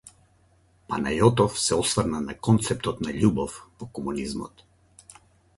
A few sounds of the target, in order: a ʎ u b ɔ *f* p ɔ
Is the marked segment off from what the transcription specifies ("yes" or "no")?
no